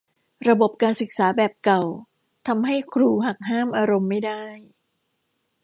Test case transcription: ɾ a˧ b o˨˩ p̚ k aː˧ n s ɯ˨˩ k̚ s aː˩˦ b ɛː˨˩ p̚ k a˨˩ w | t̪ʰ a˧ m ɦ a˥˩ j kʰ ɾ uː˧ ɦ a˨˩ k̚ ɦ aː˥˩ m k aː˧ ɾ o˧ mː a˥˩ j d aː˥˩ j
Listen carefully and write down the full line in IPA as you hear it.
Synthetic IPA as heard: ɾ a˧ b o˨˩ p̚ k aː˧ n s ɯ˨˩ k̚ s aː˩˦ b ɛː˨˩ p̚ k a˨˩ w | t̪ʰ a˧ m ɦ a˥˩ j kʰ ɾ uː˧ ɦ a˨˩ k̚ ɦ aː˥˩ m ʔ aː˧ ɾ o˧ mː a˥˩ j d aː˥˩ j

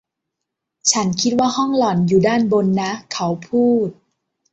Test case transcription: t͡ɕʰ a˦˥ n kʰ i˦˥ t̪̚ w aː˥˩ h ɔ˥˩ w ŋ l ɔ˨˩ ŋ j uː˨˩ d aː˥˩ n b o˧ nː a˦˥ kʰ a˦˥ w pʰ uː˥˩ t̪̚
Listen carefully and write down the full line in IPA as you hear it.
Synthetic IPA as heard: t͡ɕʰ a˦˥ n kʰ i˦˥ t̪̚ w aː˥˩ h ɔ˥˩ ŋ l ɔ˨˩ n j uː˨˩ d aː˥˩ n b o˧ nː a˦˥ kʰ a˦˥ w pʰ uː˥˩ t̪̚

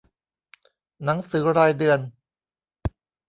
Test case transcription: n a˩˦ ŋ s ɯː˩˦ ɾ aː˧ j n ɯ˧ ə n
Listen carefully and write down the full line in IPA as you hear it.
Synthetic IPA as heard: n a˩˦ ŋ s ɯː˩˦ ɾ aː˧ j d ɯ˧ ə n

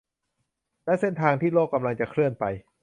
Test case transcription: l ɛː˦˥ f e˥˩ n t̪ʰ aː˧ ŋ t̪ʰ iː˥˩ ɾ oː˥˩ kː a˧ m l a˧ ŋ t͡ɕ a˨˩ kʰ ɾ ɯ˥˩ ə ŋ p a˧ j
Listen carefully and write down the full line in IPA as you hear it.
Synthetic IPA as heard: l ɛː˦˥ s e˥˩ n t̪ʰ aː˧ ŋ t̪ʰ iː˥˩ l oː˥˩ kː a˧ m l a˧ ŋ t͡ɕ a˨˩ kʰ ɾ ɯ˥˩ ə n p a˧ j

